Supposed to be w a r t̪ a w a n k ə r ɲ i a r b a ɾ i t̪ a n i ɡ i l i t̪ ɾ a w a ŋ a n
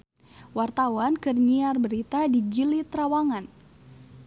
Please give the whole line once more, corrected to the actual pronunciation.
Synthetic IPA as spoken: w a r t̪ a w a n k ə r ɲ i a r b ə ɾ i t̪ a d i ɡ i l i t̪ ɾ a w a ŋ a n